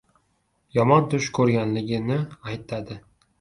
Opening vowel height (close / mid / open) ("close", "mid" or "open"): open